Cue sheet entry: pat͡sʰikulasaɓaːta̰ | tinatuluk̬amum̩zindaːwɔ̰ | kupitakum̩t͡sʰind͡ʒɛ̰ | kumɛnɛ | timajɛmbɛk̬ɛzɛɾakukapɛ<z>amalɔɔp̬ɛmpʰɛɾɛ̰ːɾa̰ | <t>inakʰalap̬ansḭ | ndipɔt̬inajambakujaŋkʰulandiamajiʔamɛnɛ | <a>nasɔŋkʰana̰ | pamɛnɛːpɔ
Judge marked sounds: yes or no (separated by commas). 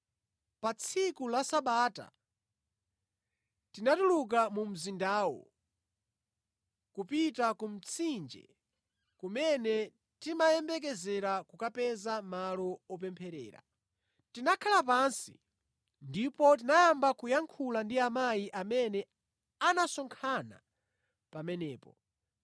yes, yes, yes